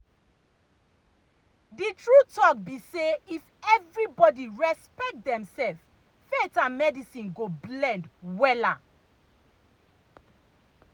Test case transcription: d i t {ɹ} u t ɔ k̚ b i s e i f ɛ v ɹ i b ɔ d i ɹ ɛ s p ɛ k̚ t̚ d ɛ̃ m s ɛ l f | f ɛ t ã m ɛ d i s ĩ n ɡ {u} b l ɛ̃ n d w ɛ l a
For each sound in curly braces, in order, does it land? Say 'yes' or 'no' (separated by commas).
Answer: yes, no